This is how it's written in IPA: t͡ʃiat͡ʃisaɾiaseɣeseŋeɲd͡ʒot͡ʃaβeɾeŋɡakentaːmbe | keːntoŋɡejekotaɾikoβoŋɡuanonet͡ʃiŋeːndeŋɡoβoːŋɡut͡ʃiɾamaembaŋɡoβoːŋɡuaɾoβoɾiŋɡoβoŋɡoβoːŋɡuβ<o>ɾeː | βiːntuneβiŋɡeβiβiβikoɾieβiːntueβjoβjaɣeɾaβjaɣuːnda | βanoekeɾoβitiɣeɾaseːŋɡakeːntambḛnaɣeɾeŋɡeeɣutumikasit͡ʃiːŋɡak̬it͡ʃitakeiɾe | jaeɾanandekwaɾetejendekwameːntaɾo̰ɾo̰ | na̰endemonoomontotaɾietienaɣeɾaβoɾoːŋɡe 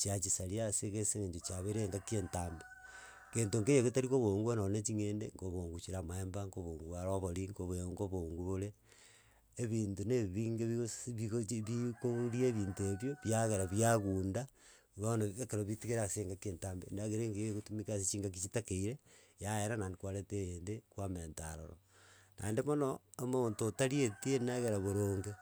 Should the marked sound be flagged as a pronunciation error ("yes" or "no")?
no